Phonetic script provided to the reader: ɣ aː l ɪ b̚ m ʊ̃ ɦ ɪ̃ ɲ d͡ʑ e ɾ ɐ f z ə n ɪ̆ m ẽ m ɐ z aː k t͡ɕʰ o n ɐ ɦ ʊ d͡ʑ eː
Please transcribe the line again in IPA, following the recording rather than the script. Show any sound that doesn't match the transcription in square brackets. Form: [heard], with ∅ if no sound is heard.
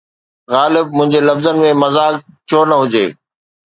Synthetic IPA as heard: ɣ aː l ɪ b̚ m ʊ̃ ɦ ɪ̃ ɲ d͡ʑ e [l] ɐ f z ə n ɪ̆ m ẽ m ɐ z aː k t͡ɕʰ o n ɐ ɦ ʊ d͡ʑ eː